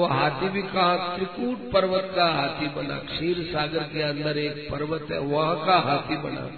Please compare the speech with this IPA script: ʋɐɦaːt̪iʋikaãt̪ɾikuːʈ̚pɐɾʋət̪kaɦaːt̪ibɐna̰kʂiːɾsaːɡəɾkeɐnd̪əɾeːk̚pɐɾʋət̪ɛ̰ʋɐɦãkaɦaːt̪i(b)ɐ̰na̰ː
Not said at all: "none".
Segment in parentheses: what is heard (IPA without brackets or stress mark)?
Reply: b